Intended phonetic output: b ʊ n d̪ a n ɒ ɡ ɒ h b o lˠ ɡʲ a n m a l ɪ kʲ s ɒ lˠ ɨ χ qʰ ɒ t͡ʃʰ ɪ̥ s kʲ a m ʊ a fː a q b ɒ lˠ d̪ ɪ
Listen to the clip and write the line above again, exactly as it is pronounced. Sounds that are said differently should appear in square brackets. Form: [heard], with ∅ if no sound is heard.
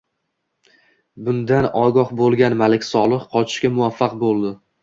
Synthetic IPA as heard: b ʊ n d̪ a n ɒ ɡ ɒ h b o lˠ ɡʲ a n m a l ɪ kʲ s ɒ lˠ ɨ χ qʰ ɒ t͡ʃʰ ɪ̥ [ʃ] kʲ a m ʊ a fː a q b [o] lˠ d̪ ɪ